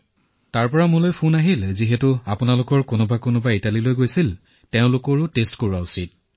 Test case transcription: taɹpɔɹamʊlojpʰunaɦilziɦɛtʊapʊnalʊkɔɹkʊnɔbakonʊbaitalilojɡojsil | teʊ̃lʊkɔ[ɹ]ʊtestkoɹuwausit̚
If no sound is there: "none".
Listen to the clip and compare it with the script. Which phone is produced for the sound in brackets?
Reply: ɹ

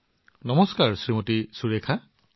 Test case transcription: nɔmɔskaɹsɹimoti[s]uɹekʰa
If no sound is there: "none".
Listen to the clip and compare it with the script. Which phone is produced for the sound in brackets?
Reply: s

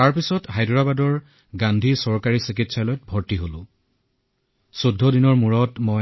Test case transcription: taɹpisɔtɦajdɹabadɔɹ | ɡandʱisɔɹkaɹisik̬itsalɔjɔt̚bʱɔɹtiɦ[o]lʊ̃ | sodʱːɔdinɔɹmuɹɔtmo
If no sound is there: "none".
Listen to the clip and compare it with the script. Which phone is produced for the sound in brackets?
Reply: o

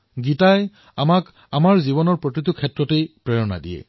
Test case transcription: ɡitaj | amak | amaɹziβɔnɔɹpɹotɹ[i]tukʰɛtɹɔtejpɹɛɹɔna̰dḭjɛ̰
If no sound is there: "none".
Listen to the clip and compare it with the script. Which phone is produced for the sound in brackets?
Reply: i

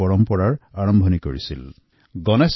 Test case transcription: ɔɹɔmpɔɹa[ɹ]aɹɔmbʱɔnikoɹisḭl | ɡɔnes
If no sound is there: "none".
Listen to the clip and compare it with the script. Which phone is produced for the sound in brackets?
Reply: ɹ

